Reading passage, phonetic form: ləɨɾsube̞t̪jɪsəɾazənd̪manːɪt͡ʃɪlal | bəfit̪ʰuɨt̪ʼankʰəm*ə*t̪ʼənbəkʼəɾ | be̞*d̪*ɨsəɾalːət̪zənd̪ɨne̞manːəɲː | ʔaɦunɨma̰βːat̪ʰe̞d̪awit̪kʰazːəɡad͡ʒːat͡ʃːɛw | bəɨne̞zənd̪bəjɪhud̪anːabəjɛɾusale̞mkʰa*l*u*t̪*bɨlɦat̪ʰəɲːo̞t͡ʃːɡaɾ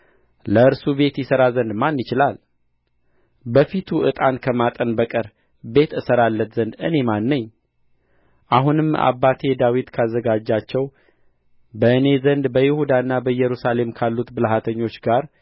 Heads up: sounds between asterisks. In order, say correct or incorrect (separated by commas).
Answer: incorrect, incorrect, incorrect, correct